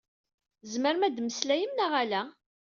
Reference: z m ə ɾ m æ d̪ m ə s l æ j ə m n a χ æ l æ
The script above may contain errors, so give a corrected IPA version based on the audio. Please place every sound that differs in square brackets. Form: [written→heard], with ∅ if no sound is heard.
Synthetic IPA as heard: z m ə ɾ m æ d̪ m ə s l æ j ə m n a [χ→ʁ] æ l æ